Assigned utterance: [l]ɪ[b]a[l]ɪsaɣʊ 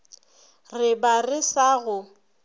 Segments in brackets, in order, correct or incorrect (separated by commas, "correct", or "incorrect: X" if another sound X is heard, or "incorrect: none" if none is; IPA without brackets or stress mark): incorrect: r, correct, incorrect: r